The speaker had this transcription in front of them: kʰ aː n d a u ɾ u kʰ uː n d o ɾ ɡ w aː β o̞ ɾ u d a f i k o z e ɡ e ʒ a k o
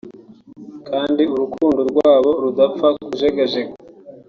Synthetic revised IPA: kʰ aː n d i u ɾ u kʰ uː n d o ɾ ɡ w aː β o̞ ɾ u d a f a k u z e ɡ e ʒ e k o